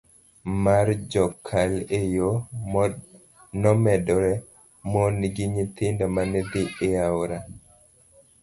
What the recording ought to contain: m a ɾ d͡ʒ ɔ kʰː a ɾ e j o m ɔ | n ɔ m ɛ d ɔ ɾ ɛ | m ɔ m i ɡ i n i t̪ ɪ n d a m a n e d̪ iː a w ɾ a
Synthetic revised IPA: m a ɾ d͡ʒ ɔ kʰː a l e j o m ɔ | n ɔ m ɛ d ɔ ɾ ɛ | m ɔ n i ɡ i ɲ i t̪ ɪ n d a m a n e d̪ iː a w ɾ a